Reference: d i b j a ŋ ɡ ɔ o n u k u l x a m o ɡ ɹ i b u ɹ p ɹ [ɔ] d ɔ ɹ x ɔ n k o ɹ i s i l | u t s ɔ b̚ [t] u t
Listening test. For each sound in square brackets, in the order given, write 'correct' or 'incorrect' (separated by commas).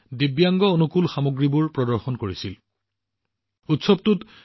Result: correct, correct